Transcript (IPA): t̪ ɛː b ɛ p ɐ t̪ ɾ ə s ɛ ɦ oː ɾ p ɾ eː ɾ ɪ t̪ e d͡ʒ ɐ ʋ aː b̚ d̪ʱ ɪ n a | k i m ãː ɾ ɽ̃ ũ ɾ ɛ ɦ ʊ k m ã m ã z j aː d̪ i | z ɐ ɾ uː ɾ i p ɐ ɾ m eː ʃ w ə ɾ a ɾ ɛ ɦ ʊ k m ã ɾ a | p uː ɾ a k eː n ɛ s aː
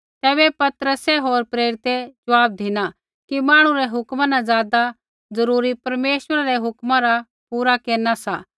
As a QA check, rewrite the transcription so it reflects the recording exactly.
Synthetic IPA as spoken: t̪ ɛː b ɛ p ɐ t̪ ɾ ə s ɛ ɦ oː ɾ p ɾ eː ɾ ɪ t̪ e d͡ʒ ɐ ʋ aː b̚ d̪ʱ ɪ n a | k i m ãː ɽ̃ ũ ɾ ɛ ɦ ʊ k m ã n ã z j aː d̪ a | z ɐ ɾ uː ɾ i p ɐ ɾ m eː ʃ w ə ɾ a ɾ ɛ ɦ ʊ k m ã ɾ a | p uː ɾ a k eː n a s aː